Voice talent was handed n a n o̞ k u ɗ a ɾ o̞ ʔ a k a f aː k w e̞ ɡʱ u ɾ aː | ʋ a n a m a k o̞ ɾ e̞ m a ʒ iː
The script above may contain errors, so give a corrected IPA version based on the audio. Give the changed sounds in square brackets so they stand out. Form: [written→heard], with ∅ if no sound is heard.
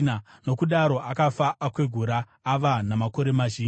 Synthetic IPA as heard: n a n o̞ k u ɗ a ɾ o̞ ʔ a k a f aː k w e̞ ɡʱ u ɾ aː | ʋ a n a m a k o̞ ɾ e̞ m a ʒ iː